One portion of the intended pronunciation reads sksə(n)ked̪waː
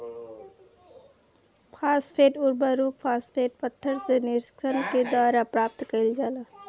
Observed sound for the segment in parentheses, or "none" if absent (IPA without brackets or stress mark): n